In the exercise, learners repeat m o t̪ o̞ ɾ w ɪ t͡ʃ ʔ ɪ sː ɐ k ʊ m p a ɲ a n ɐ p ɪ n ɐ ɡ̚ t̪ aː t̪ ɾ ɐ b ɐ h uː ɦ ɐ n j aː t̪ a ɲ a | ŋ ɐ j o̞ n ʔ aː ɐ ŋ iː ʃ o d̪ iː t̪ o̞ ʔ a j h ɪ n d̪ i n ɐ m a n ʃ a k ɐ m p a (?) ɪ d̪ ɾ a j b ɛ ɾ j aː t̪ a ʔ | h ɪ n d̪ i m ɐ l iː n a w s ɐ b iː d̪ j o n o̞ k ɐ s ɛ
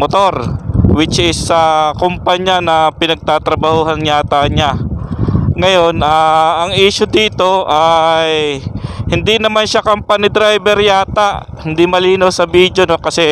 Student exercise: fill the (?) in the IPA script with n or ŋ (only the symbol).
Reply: n